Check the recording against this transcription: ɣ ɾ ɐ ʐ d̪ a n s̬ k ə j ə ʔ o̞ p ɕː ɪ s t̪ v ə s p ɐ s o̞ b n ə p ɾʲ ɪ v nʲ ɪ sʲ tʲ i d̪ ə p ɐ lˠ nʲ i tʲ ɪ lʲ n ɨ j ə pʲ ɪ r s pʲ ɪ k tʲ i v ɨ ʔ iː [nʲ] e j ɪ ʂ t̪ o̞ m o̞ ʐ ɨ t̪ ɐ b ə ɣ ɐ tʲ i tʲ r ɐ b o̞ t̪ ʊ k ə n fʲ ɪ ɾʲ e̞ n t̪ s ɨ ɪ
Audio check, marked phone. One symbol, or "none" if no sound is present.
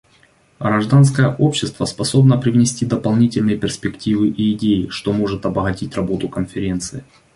dʲ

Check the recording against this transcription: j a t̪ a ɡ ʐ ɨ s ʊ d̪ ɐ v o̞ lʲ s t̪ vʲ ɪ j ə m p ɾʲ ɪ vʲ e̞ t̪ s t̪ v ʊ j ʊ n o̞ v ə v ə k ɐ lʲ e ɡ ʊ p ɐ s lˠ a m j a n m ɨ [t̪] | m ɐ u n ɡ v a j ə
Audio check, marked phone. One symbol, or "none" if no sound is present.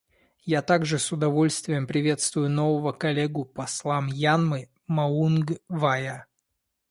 none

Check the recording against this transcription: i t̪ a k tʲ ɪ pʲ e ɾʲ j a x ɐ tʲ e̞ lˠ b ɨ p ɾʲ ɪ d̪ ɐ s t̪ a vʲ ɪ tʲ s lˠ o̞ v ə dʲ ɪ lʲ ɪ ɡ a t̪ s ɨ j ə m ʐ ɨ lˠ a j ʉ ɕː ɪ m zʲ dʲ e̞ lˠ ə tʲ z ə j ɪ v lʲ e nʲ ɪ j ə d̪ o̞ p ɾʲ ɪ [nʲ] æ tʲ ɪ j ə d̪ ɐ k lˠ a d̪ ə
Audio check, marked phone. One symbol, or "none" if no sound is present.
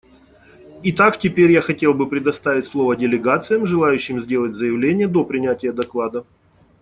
nʲ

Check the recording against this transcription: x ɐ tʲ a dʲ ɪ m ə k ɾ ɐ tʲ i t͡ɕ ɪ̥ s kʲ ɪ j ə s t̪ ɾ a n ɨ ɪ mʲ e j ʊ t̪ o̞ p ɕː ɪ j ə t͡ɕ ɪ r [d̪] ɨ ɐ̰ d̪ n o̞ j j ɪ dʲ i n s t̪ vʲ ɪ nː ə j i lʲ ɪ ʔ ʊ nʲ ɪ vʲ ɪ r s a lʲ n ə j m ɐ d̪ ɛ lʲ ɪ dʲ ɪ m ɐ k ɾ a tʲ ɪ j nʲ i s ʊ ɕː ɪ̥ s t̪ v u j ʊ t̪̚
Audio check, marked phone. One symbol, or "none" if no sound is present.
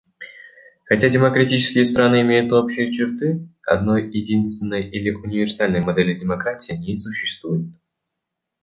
t̪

